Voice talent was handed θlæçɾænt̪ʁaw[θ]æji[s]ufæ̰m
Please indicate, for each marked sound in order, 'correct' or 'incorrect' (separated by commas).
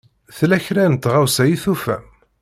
incorrect, incorrect